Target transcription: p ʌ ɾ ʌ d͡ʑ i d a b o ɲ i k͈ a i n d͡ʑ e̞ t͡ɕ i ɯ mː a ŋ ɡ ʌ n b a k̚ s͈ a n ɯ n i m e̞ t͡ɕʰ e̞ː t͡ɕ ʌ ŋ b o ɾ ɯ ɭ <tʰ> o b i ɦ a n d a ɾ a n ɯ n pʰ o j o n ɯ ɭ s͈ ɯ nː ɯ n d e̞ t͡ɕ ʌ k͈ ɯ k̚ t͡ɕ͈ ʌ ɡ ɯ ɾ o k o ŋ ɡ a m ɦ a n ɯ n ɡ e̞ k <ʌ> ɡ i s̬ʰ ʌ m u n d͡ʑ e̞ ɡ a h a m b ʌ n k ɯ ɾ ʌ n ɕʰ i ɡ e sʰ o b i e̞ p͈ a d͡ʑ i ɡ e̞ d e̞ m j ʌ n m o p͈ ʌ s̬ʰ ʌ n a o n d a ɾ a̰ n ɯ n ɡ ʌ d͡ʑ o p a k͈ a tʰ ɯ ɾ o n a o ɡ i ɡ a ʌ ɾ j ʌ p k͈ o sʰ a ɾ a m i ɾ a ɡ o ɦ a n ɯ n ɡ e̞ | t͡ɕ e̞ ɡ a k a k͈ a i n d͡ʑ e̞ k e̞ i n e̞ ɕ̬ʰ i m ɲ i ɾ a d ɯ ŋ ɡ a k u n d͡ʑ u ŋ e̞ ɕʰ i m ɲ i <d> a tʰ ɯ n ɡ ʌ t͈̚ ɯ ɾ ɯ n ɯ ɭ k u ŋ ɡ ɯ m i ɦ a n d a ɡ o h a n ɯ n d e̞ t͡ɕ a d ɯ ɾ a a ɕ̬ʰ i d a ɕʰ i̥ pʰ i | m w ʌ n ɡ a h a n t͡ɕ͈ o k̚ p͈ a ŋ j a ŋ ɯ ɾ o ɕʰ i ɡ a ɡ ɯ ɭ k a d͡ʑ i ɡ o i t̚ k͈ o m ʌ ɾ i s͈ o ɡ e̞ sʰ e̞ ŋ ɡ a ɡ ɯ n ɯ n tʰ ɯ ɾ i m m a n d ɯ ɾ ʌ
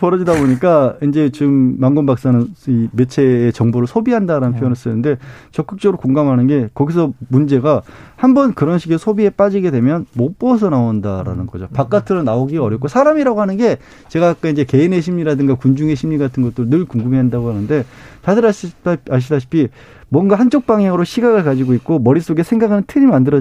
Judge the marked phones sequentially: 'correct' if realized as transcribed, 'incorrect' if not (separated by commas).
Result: incorrect, correct, incorrect